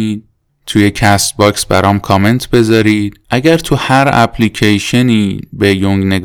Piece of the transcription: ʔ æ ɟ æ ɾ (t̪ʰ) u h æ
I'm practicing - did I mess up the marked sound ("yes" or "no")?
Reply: no